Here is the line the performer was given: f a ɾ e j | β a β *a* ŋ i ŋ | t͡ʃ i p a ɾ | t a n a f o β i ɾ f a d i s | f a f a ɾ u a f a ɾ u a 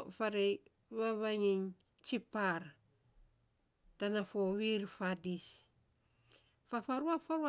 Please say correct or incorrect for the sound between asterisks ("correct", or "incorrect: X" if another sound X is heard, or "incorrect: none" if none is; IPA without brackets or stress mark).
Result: correct